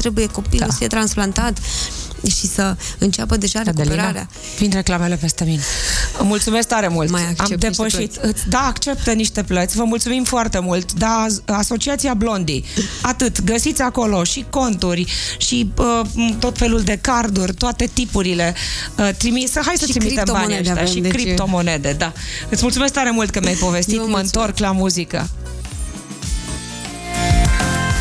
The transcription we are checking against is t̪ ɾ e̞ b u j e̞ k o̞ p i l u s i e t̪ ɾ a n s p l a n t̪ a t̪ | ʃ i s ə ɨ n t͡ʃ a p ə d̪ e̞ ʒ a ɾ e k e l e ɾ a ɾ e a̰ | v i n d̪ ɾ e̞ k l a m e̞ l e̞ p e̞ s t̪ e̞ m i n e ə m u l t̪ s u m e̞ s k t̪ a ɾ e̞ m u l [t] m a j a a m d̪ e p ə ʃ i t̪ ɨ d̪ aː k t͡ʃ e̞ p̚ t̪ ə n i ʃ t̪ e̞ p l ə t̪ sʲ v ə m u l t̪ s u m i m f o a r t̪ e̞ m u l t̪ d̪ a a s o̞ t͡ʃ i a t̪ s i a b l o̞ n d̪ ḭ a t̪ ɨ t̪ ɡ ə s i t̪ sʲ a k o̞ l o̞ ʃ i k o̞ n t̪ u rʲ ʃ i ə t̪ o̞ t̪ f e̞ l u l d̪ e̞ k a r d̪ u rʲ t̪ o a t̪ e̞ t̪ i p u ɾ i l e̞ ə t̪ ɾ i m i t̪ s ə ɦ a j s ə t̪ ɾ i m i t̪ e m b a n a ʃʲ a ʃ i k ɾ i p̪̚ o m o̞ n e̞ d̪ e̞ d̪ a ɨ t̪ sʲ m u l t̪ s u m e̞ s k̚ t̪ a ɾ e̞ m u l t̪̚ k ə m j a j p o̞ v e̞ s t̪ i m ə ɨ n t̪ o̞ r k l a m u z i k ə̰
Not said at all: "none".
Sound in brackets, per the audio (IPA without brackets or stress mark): t